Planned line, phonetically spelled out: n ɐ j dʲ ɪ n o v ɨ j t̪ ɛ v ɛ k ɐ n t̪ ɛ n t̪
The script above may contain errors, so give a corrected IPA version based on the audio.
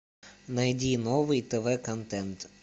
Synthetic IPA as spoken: n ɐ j dʲ i n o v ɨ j t̪ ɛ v ɛ k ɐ n t̪ ɛ n t̪